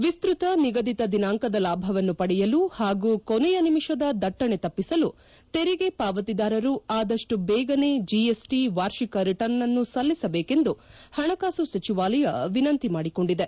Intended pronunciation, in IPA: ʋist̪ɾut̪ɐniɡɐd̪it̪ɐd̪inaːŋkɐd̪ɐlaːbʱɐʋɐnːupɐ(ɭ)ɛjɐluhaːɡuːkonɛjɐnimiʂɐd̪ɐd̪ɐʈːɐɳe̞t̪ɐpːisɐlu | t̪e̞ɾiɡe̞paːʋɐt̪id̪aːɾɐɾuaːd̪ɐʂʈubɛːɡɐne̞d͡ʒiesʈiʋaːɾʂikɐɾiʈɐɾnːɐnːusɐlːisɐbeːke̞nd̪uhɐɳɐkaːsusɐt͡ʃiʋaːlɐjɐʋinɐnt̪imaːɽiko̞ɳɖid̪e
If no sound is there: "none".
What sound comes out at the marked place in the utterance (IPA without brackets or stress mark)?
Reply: ɽ